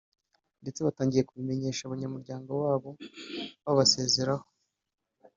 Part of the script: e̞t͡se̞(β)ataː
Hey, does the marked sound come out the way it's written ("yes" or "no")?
yes